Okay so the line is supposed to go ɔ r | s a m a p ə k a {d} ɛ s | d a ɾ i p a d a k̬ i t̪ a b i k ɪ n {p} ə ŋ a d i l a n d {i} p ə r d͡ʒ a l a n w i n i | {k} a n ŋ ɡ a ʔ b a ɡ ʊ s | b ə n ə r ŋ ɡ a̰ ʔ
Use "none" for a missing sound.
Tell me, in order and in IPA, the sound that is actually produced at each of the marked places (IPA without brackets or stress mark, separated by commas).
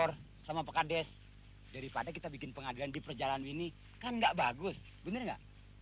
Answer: d, p, i, k